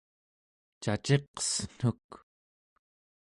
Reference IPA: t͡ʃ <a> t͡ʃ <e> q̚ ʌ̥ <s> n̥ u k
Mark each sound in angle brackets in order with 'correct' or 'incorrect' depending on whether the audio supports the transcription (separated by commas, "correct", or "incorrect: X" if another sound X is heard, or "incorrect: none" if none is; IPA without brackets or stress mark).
correct, correct, correct